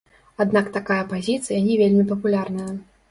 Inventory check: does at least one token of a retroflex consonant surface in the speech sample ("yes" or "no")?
no